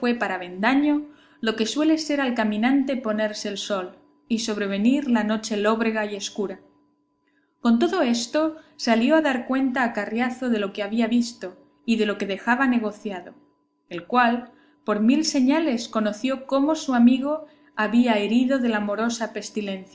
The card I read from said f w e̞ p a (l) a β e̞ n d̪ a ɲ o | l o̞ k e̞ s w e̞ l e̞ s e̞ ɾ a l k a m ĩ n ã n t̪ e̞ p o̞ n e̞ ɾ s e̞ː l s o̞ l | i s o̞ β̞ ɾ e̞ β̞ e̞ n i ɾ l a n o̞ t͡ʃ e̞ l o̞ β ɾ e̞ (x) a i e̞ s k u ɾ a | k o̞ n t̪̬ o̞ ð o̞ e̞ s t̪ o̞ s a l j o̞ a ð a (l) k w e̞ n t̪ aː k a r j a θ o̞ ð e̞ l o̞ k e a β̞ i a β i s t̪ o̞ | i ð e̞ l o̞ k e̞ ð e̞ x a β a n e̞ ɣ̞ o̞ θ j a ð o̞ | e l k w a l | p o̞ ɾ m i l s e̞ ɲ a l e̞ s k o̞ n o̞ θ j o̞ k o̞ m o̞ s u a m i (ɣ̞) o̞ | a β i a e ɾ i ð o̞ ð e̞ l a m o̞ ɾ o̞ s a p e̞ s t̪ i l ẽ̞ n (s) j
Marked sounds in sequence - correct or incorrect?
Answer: incorrect, incorrect, incorrect, correct, incorrect

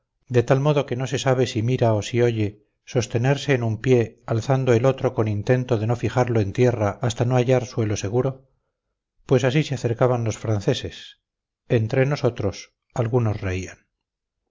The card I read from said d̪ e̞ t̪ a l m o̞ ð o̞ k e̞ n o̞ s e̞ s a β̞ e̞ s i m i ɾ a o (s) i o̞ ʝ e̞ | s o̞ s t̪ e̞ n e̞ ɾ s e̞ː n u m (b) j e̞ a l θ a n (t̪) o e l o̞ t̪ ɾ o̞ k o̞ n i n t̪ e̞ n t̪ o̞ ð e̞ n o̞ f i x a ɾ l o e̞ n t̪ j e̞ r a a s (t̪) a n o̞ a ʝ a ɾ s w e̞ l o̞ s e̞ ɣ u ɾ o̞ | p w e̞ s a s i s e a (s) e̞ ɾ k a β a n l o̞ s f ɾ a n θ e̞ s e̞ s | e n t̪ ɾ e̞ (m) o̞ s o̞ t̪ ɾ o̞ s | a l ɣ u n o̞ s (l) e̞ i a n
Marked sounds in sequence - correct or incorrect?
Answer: correct, incorrect, incorrect, correct, incorrect, incorrect, incorrect

